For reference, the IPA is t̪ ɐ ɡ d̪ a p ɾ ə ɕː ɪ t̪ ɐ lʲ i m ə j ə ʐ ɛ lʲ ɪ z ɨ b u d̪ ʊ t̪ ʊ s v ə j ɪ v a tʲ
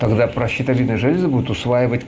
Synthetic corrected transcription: t̪ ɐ ɡ d̪ a p ɾ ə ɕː ɪ t̪ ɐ lʲ i n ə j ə ʐ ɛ lʲ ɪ z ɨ b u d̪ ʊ t̪ ʊ s v a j ɪ v ə tʲ